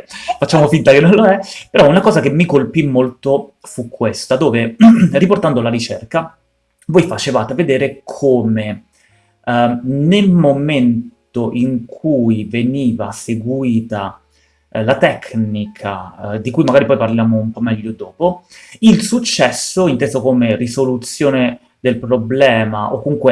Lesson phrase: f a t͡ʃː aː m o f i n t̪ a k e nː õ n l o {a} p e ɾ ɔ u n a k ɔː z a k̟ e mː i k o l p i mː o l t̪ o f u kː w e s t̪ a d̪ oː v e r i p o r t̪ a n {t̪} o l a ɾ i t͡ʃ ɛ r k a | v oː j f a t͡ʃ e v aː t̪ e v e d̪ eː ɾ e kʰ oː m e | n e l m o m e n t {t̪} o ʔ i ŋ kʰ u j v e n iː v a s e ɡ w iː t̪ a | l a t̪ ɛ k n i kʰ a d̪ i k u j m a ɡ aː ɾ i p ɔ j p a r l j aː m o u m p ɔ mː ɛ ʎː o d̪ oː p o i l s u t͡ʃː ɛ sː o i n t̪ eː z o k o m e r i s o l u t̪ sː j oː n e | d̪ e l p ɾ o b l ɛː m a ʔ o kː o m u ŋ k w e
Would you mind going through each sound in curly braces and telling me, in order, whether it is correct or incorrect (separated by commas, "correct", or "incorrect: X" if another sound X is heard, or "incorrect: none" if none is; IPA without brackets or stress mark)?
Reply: incorrect: ɛ, incorrect: d̪, correct